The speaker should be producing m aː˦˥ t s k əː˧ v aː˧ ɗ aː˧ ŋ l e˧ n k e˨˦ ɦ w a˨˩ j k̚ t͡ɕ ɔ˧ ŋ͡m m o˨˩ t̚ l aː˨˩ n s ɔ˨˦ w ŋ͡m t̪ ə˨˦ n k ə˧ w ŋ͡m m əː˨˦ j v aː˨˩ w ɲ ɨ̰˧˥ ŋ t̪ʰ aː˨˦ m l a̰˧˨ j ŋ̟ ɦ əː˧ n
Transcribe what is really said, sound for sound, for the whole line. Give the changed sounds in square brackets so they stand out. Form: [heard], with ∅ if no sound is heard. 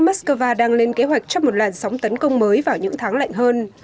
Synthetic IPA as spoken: m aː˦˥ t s k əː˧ v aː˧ ɗ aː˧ ŋ l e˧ n k e˨˦ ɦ w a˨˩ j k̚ t͡ɕ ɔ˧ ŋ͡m m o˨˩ t̚ l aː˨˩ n s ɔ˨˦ w ŋ͡m t̪ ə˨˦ n k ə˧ w ŋ͡m m əː˨˦ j v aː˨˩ w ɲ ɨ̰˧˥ ŋ t̪ʰ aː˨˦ [ŋ] l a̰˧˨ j ŋ̟ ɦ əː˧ n